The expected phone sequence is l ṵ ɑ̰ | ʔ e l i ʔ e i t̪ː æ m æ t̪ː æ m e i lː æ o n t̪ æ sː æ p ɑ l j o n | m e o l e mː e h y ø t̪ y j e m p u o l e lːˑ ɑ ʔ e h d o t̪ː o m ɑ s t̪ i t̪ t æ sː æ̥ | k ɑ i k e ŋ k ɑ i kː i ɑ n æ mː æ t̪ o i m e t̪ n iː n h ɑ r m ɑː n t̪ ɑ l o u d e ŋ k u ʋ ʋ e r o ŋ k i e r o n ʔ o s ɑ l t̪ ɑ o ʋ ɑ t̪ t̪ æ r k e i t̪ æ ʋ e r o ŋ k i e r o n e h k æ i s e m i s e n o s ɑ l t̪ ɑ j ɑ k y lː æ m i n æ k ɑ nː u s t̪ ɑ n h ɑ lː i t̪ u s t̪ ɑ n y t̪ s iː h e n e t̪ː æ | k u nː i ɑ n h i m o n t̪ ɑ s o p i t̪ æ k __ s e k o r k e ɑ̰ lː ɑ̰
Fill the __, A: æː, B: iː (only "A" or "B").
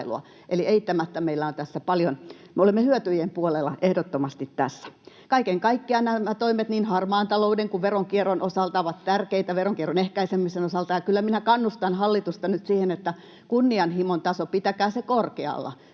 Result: A